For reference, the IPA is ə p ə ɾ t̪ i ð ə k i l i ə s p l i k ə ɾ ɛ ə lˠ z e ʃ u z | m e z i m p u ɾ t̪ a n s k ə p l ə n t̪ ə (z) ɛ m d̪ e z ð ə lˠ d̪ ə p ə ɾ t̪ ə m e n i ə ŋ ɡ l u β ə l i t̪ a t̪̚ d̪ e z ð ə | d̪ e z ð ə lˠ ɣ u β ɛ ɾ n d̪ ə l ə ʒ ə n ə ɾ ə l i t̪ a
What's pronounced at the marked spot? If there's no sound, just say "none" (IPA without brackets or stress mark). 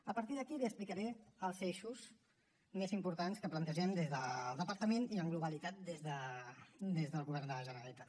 ʒ